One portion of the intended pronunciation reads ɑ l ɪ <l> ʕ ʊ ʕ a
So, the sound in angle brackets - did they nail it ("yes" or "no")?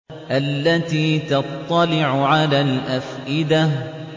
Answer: no